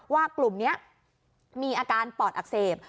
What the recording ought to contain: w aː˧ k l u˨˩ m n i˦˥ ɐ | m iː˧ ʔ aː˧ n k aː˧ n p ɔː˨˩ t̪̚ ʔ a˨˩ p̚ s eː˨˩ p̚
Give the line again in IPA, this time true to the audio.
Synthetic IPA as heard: w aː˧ k l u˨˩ m n i˦˥ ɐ | m iː˧ ʔ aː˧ k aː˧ n p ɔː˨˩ t̪̚ ʔ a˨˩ k̚ s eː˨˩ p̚